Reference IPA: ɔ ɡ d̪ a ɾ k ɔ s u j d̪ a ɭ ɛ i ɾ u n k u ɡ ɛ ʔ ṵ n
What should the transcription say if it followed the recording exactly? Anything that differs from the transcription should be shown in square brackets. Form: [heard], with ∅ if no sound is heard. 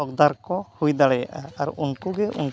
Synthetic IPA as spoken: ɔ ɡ d̪ a ɾ k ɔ [h] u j d̪ a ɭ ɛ [a] ɾ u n k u ɡ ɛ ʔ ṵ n